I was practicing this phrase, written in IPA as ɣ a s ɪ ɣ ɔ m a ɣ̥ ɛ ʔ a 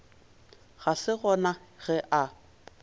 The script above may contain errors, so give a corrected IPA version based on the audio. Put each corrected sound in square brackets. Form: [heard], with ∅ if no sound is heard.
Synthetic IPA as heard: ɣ a s ɪ ɣ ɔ [n] a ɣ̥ ɛ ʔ a